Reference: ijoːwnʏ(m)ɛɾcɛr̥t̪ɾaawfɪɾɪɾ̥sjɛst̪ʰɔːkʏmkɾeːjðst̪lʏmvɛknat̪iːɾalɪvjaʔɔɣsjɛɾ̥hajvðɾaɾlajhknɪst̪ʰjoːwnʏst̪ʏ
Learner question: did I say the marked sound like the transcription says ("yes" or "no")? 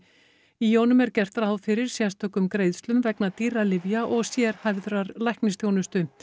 yes